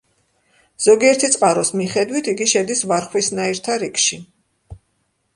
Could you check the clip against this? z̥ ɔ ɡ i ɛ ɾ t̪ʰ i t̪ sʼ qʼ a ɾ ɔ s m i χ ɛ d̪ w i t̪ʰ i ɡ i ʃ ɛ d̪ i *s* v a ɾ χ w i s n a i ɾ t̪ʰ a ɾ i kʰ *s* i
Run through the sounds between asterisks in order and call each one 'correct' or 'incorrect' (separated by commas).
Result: correct, incorrect